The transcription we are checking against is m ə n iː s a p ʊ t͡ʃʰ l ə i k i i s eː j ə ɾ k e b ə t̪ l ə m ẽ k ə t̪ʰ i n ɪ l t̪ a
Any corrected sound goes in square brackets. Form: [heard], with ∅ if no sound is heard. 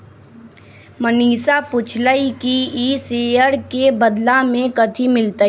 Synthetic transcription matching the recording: m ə n iː s a p ʊ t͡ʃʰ l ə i k i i s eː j ə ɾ k e b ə [d̪] l [a] m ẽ k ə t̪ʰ i [m] ɪ l t̪ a